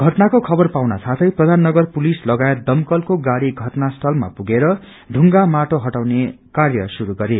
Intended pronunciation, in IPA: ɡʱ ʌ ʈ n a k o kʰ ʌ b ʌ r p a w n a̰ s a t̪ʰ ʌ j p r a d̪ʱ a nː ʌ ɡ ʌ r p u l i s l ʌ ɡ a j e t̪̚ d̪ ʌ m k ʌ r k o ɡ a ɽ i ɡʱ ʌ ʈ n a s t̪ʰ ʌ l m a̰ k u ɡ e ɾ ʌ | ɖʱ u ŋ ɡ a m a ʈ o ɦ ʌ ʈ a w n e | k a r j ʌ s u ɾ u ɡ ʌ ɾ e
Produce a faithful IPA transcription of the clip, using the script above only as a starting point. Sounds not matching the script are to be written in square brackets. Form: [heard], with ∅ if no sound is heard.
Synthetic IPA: ɡʱ ʌ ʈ n a k o kʰ ʌ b ʌ r p a w n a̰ s a t̪ʰ ʌ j p r [ʌ] d̪ʱ a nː ʌ ɡ ʌ r p u l i s l ʌ ɡ a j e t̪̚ d̪ ʌ m k ʌ [l] k o ɡ a ɽ i ɡʱ ʌ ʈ n a s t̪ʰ ʌ l m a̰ [p] u ɡ e ɾ ʌ | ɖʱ u ŋ ɡ a m a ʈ o ɦ ʌ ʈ a w n e | k a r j ʌ s u ɾ u ɡ ʌ ɾ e